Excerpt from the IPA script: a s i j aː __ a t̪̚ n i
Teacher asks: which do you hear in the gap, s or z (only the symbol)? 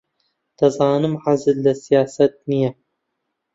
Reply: s